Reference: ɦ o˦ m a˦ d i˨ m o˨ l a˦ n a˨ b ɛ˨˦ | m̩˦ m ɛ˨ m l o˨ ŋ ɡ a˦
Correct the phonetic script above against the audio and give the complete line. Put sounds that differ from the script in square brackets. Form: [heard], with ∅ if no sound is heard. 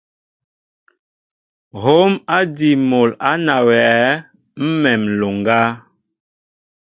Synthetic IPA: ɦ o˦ m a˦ d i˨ m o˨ l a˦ n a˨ [w] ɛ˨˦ | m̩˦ m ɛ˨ m l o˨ ŋ ɡ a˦